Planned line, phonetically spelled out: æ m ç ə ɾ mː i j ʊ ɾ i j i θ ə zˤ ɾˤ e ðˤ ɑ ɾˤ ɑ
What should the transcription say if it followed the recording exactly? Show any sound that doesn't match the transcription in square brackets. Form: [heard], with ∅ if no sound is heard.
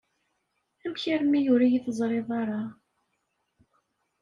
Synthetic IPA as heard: æ m ç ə ɾ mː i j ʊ ɾ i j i θ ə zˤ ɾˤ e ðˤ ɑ ɾˤ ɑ